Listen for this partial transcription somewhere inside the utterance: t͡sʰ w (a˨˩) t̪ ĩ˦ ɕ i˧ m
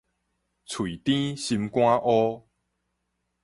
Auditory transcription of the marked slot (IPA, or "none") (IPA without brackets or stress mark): i˨˩